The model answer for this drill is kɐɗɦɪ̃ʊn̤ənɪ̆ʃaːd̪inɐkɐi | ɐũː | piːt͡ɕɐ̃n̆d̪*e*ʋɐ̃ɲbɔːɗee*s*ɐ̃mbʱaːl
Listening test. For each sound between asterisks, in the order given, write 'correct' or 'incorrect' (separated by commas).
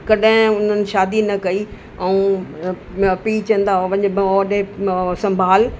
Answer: incorrect, correct